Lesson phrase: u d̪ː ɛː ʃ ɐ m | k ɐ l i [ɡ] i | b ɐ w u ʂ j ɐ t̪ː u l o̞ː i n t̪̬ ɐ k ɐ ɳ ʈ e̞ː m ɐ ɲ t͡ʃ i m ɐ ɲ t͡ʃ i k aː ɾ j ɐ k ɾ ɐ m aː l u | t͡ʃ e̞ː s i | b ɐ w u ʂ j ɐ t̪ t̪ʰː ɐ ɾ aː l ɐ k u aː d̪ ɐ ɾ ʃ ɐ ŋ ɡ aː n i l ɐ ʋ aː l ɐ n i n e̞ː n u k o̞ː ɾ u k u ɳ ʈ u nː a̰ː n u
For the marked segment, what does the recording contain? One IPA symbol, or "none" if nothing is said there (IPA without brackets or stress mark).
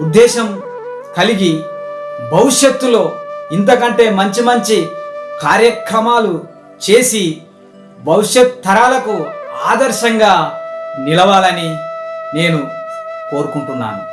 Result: ɡ